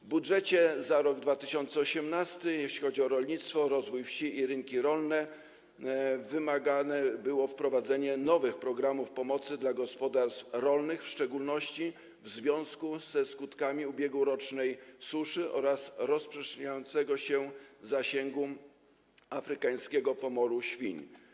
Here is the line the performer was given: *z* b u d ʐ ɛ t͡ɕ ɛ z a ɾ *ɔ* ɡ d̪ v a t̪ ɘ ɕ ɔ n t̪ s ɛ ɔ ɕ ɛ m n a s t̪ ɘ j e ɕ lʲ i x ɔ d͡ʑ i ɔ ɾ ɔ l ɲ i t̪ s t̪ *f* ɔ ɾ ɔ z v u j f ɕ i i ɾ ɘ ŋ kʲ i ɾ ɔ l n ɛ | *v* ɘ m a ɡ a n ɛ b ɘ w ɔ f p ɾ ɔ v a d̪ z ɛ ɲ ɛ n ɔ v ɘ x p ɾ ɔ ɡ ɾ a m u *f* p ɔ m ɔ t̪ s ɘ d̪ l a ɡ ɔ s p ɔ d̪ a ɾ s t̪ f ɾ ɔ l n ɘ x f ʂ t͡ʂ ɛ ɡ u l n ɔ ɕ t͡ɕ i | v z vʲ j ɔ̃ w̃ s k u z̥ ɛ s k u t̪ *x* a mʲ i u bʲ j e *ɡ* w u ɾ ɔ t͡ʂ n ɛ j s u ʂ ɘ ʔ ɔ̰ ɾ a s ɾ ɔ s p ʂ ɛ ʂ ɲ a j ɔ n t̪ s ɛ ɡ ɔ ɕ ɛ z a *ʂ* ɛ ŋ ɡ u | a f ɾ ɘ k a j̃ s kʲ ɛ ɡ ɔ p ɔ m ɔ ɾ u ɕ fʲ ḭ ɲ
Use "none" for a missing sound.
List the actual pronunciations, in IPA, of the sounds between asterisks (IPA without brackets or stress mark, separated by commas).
v, ɔ, f, v, f, k, ɡ, ɕ